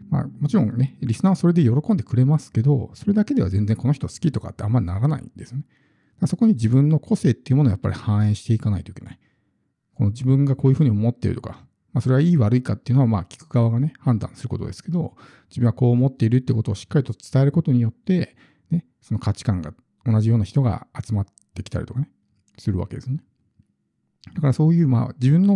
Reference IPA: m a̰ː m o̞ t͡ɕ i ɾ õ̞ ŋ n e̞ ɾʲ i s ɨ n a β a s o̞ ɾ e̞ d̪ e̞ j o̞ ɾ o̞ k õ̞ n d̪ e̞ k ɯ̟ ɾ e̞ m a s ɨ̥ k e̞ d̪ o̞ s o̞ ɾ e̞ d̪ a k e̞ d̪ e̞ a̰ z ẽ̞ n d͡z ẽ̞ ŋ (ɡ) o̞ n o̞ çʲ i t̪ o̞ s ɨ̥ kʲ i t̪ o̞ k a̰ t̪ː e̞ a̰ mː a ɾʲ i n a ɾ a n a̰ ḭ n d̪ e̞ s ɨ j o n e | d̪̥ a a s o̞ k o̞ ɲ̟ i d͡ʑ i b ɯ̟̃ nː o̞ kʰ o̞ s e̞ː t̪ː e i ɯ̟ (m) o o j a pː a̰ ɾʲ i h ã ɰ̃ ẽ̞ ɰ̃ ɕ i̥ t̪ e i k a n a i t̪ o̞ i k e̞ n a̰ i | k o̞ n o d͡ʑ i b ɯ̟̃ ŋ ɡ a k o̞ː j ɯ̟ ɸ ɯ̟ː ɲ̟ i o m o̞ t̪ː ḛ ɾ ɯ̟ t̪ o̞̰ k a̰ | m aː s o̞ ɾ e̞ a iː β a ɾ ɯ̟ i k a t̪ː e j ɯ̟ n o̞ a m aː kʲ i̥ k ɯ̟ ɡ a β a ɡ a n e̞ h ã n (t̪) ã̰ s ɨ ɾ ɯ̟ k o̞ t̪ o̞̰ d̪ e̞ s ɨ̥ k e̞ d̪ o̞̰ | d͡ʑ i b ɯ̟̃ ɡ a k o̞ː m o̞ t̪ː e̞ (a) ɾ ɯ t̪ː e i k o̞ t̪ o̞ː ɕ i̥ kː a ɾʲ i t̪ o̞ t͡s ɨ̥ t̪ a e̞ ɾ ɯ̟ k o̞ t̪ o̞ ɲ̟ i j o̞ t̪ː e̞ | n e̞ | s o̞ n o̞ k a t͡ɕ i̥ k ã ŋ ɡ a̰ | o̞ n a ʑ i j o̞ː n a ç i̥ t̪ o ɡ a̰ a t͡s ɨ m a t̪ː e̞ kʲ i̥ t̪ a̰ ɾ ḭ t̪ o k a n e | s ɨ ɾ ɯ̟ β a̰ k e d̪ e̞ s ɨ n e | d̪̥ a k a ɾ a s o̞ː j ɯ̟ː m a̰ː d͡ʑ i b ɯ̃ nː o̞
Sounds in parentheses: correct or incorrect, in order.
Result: incorrect: k, correct, incorrect: d̪, incorrect: i

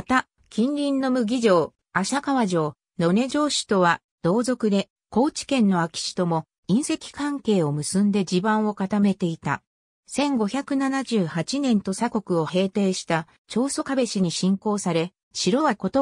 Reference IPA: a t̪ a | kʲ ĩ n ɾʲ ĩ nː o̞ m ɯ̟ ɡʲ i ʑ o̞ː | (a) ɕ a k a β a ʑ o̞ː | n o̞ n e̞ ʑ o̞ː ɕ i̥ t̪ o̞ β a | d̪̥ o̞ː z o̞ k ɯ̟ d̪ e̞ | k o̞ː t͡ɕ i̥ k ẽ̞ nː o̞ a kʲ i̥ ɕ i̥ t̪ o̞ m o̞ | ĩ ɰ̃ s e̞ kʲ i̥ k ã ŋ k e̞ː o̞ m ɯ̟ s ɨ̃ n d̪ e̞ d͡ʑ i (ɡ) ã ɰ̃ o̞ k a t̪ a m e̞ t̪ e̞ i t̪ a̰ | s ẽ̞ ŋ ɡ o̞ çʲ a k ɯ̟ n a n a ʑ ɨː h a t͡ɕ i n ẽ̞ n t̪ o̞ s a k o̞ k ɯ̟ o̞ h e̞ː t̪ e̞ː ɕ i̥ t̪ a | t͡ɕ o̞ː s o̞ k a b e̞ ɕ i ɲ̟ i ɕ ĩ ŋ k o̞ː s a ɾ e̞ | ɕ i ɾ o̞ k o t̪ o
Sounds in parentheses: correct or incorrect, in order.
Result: correct, incorrect: b

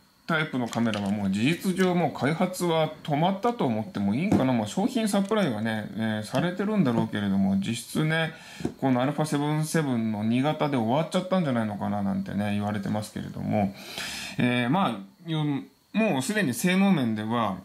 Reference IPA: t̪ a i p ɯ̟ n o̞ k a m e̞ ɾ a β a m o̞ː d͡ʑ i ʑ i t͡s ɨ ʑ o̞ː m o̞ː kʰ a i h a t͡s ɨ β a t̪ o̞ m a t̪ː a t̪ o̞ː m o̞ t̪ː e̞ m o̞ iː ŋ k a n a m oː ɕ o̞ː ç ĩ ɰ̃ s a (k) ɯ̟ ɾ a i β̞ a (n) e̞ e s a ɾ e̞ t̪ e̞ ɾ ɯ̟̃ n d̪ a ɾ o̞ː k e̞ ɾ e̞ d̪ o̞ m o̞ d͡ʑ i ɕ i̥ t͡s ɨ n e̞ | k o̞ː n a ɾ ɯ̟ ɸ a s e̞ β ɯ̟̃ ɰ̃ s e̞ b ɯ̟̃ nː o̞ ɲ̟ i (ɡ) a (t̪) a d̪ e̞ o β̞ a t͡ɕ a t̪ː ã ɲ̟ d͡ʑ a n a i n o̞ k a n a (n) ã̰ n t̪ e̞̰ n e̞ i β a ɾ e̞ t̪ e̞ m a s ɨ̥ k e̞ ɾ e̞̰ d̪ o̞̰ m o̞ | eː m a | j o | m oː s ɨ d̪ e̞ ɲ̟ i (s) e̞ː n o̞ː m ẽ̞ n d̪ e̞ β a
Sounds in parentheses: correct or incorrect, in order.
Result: incorrect: p, correct, correct, correct, correct, correct

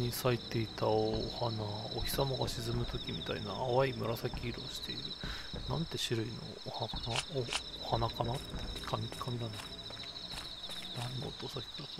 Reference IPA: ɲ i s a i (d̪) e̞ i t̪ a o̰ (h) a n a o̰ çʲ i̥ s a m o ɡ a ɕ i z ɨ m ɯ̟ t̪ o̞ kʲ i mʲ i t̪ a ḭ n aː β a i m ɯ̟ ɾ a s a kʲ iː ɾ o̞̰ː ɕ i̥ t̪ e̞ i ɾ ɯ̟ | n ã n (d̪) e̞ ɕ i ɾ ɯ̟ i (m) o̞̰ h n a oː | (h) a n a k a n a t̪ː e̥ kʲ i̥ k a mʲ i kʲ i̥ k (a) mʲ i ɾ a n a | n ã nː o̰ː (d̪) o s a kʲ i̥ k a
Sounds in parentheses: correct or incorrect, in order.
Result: incorrect: t̪, correct, incorrect: t̪, incorrect: n, correct, correct, incorrect: t̪

